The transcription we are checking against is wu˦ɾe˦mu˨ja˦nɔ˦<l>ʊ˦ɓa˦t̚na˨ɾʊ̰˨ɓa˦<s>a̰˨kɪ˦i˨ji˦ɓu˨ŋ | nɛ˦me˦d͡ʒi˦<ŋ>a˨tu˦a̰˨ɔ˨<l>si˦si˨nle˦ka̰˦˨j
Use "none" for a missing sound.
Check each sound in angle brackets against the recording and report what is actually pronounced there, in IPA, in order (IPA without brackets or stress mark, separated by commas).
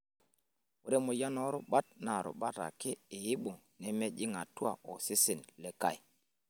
ɾ, t, ŋ, none